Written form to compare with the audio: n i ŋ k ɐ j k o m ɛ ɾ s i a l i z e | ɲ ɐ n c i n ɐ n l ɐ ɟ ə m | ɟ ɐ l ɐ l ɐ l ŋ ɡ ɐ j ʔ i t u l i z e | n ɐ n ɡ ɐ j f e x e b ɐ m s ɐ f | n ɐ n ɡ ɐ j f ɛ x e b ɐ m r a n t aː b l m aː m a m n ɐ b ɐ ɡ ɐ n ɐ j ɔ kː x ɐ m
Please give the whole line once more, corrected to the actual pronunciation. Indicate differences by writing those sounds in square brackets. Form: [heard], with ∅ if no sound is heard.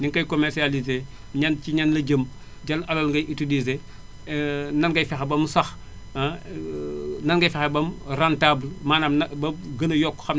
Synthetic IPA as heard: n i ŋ k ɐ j k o m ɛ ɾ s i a l i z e | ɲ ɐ n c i [ɲ] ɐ n l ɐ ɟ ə m | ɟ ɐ l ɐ l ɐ l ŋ ɡ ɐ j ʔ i t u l i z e | n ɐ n ɡ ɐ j f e x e b ɐ m s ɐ [x] | n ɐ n ɡ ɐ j f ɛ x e b ɐ m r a n t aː b l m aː [n] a m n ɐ b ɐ ɡ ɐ n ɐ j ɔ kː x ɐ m